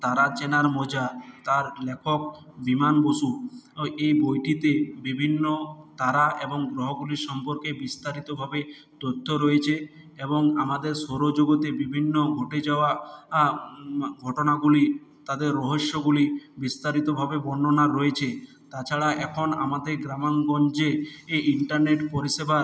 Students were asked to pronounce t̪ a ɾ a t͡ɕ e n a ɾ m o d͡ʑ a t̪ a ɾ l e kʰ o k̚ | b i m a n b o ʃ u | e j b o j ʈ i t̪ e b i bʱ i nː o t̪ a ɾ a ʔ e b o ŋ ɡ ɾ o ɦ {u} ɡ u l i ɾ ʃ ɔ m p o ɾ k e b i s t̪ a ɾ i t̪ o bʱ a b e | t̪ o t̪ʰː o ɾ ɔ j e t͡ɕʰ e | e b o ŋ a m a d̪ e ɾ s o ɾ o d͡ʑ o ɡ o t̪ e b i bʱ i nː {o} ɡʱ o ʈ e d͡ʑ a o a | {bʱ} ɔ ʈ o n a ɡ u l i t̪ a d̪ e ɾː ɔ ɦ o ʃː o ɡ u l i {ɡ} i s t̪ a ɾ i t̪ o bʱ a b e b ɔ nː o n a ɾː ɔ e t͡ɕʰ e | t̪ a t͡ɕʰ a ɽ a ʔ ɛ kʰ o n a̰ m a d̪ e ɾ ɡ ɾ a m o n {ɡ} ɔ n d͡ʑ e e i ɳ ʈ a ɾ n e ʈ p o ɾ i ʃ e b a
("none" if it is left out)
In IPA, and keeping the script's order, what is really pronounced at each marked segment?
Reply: o, o, ɡʱ, b, ɡ

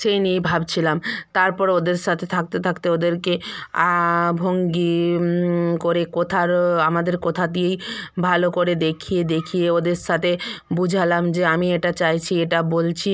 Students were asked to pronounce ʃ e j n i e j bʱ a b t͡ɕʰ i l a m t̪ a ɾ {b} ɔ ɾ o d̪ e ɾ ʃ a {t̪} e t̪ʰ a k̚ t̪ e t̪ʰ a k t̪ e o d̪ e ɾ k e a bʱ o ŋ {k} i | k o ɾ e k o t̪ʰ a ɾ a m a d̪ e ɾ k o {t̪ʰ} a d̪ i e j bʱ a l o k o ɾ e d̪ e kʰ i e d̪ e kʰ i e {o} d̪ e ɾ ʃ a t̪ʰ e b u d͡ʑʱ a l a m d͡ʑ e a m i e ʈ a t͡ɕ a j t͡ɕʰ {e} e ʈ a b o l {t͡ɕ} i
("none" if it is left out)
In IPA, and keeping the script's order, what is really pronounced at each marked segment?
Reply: p, t̪ʰ, ɡ, t̪ʰ, o, i, t͡ɕʰ

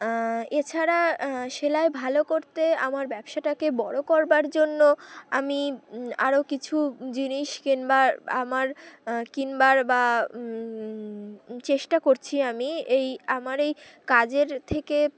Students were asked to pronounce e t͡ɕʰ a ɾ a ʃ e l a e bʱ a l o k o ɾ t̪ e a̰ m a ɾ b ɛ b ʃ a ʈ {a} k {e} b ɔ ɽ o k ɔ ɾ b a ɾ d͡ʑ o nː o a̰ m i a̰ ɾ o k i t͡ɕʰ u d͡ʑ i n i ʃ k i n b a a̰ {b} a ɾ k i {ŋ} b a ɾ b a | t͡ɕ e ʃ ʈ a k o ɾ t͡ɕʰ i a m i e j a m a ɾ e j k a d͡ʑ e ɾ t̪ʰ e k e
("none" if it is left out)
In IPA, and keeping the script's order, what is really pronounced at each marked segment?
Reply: a, e, m, n

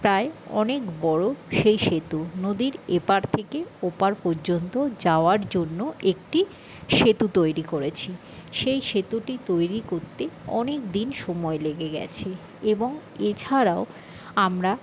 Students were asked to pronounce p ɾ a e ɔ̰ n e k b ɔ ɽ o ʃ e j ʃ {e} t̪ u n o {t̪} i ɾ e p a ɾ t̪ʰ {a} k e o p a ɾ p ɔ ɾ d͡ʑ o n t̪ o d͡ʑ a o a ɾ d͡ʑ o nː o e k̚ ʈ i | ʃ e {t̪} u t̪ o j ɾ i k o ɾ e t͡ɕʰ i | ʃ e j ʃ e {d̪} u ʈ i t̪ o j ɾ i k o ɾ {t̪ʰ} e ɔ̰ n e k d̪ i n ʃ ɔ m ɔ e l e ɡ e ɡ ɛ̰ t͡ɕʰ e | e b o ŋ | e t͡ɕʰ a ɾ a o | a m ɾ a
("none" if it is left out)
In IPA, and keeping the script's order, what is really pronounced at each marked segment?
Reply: e, d̪, e, t̪, t̪, t̪

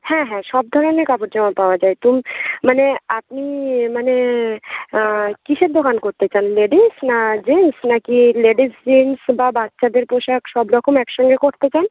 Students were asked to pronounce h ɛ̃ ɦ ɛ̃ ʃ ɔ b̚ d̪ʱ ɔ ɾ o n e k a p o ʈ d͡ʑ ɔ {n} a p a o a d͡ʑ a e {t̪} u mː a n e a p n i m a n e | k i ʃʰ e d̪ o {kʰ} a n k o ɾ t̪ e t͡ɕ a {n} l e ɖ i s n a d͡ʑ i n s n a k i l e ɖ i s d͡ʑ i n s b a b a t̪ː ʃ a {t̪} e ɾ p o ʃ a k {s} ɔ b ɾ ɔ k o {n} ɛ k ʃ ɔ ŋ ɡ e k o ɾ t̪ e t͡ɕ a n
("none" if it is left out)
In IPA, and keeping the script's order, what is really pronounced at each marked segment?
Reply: m, t̪, k, n, d̪, ʃ, m

